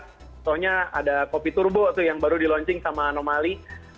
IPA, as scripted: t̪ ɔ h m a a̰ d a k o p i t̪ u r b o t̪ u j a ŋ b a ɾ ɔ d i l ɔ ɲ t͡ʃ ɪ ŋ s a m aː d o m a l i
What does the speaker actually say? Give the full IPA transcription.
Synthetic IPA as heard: t̪ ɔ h ɲ a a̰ d a k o p i t̪ u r b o t̪ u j a ŋ b a ɾ u d i l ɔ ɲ t͡ʃ ɪ ŋ s a m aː n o m a l i